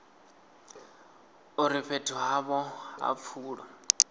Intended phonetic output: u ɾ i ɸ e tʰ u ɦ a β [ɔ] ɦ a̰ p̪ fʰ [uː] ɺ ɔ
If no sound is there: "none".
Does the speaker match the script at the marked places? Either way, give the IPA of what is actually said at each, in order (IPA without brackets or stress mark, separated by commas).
ɔ, uː